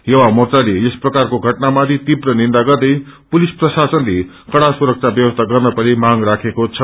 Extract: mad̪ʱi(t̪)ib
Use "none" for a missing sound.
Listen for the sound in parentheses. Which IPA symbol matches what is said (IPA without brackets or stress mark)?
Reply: t̪